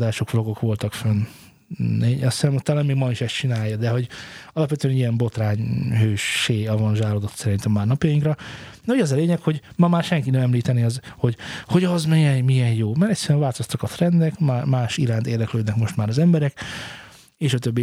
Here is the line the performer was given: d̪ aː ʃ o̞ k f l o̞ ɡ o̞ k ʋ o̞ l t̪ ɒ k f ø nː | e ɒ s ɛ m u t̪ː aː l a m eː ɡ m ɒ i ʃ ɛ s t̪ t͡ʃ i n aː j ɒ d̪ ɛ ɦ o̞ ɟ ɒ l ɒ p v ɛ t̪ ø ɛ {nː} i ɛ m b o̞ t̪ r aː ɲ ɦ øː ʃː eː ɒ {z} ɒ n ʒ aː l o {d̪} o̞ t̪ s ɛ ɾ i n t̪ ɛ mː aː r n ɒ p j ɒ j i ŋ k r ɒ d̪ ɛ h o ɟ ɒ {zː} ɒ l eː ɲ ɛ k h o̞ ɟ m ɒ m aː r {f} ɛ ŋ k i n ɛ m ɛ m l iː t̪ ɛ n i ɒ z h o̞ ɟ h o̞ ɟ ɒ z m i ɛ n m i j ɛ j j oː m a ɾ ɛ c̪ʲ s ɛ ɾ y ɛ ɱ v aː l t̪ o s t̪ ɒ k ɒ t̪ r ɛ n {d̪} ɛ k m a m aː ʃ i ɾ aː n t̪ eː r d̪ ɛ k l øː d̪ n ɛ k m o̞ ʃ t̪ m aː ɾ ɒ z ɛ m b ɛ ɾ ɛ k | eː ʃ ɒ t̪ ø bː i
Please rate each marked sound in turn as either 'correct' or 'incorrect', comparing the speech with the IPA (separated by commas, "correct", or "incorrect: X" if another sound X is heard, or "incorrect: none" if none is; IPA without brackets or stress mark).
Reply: incorrect: n, incorrect: v, correct, incorrect: z, incorrect: ʃ, correct